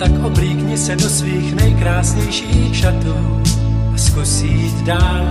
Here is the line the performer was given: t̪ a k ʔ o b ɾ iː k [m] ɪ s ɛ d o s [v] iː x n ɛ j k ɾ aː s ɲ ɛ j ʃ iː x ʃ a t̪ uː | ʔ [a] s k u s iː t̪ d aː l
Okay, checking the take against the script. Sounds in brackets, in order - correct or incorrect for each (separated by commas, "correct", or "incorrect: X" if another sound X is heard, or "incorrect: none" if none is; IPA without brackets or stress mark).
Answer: incorrect: ɲ, correct, correct